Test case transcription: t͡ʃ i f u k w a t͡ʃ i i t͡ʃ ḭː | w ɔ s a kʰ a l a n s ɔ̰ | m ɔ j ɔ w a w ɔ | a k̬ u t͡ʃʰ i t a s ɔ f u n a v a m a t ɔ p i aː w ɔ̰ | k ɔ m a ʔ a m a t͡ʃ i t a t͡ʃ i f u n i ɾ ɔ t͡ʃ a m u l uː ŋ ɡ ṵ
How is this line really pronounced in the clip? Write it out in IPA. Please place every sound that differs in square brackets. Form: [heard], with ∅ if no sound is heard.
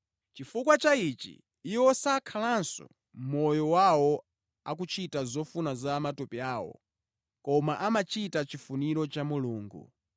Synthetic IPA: t͡ʃ i f u k w a t͡ʃ [a] i t͡ʃ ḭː | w ɔ s a kʰ a l a n s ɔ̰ | m ɔ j ɔ w a w ɔ | a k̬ u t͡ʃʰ i t a [z] ɔ f u n a [z] a m a t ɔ p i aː w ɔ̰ | k ɔ m a ʔ a m a t͡ʃ i t a t͡ʃ i f u n i ɾ ɔ t͡ʃ a m u l uː ŋ ɡ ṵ

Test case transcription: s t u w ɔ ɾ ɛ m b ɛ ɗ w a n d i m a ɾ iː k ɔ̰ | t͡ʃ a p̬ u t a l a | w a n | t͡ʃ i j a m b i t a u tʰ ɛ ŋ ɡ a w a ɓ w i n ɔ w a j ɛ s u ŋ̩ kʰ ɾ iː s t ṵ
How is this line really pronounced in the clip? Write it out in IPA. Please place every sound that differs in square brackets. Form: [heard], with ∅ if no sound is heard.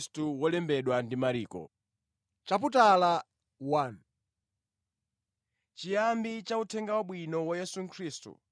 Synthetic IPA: s t u w ɔ [l] ɛ m b ɛ ɗ w a n d i m a ɾ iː k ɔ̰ | t͡ʃ a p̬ u t a l a | w a n | t͡ʃ i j a m b i [t͡ʃ] a u tʰ ɛ ŋ ɡ a w a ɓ w i n ɔ w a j ɛ s u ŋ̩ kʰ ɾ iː s t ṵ

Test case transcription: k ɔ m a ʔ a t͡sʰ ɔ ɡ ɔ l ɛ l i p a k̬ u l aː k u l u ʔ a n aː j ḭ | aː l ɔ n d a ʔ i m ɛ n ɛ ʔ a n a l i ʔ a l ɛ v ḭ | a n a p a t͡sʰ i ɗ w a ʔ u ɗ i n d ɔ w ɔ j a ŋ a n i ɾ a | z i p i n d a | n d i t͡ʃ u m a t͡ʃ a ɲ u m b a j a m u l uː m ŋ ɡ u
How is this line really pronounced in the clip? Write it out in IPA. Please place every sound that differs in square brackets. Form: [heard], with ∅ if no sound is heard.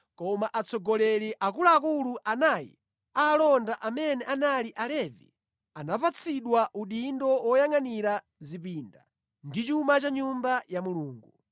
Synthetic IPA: k ɔ m a ʔ a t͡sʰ ɔ ɡ ɔ l ɛ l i [ʔ] a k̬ u l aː k u l u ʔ a n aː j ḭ | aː l ɔ n d a ʔ [a] m ɛ n ɛ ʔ a n a l i ʔ a l ɛ v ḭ | a n a p a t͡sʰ i ɗ w a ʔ u ɗ i n d ɔ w ɔ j a ŋ a n i ɾ a | z i p i n d a | n d i t͡ʃ u m a t͡ʃ a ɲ u m b a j a m u l uː [∅] ŋ ɡ u

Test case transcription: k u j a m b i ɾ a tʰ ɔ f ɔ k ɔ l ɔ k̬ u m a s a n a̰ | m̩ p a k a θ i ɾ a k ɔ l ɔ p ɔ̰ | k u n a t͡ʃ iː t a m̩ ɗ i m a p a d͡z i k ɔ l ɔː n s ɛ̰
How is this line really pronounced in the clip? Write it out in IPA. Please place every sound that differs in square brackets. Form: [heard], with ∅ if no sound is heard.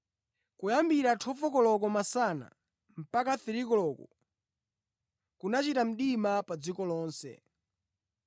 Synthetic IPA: k u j a m b i ɾ a tʰ ɔ f ɔ k ɔ l ɔ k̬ [ɔ] m a s a n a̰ | m̩ p a k a θ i ɾ [i] k ɔ l ɔ [k] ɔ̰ | k u n a t͡ʃ [i] t a m̩ ɗ i m a p a d͡z i k ɔ l ɔː n s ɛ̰

